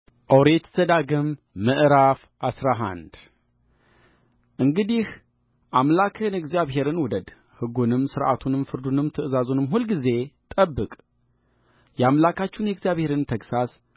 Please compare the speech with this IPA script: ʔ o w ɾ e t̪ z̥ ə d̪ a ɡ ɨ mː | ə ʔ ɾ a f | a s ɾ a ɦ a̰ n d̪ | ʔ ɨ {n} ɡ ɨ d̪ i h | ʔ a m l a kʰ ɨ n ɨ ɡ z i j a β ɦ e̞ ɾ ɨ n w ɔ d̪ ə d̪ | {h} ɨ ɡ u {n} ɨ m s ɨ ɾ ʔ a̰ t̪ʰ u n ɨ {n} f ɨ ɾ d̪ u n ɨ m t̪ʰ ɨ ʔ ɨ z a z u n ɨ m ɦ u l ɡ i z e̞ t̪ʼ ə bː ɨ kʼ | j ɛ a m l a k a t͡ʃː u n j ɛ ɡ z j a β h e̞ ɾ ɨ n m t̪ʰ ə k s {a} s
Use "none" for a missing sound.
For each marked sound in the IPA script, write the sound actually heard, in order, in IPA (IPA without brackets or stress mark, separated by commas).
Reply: ŋ, h, n, m, a